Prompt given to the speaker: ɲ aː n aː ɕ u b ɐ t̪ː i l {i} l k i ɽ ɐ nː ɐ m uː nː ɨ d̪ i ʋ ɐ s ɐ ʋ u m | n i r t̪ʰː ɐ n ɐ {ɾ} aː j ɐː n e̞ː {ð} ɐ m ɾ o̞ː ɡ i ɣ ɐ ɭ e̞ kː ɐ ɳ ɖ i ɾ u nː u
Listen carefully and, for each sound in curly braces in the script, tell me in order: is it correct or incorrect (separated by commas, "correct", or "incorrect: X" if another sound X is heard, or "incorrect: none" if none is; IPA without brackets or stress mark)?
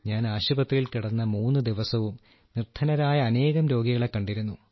correct, correct, incorrect: ɣ